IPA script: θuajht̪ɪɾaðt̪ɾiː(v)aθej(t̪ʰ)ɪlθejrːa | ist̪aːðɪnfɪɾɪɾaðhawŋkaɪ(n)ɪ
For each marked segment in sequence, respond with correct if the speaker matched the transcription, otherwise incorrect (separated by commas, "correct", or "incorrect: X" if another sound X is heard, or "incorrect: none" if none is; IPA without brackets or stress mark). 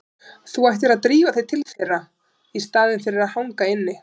correct, correct, incorrect: nː